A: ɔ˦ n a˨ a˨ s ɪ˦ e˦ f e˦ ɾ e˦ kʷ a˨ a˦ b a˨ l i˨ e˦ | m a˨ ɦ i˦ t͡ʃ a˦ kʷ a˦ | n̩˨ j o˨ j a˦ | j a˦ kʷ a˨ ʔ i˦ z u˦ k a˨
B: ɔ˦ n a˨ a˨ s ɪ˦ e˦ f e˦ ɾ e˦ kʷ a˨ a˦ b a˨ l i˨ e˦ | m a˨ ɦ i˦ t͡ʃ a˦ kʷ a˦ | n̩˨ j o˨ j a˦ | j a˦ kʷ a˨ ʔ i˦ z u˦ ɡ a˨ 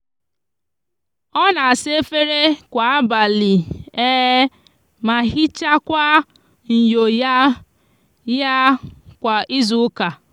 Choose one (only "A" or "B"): A